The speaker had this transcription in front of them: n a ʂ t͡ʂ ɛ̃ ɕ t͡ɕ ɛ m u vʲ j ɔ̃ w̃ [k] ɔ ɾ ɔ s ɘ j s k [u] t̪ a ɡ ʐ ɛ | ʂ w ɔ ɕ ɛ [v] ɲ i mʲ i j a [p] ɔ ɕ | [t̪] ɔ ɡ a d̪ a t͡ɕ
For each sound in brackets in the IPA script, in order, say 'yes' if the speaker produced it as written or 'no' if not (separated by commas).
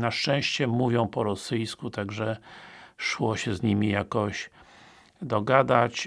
no, yes, no, no, no